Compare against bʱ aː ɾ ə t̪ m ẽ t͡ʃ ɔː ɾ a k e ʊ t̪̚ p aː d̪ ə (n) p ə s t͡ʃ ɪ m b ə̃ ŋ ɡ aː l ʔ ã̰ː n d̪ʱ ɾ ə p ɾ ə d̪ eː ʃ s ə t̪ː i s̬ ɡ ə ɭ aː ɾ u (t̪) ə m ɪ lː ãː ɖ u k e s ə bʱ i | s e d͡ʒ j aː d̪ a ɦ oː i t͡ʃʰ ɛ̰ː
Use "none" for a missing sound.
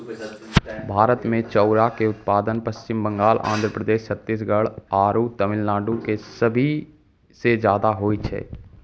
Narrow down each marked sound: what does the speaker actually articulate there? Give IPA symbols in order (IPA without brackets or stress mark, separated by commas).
n, t̪